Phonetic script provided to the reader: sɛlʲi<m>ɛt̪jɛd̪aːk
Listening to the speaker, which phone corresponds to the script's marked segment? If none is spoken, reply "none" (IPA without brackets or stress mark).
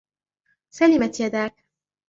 m